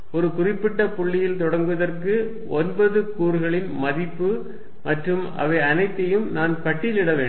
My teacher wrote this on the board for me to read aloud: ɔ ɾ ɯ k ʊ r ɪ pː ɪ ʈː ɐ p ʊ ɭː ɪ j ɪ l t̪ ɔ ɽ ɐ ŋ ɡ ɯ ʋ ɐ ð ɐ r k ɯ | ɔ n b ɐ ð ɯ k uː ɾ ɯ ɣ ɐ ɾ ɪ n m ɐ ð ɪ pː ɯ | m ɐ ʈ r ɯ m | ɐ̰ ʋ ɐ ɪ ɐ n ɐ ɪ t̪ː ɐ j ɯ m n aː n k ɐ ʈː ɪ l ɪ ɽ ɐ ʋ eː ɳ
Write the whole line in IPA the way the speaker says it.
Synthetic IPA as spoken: ɔ ɾ ɯ k ʊ r ɪ pː ɪ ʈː ɐ p ʊ ɭː ɪ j ɪ l t̪ ɔ ɽ ɐ ŋ ɡ ɯ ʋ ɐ ð ɐ r k ɯ | ɔ n b ɐ ð ɯ k uː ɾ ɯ ɣ ɐ ɭ ɪ n m ɐ ð ɪ pː ɯ | m ɐ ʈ r ɯ m | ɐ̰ ʋ ɐ ɪ ɐ n ɐ ɪ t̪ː ɐ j ɯ m n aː n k ɐ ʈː ɪ l ɪ ɽ ɐ ʋ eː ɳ